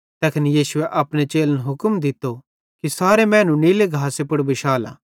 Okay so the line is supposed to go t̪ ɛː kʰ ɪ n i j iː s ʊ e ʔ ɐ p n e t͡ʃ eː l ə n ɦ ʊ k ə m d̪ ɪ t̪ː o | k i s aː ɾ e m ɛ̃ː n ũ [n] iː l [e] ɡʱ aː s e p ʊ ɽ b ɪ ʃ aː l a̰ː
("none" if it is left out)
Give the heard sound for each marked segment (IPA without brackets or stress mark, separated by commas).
n, e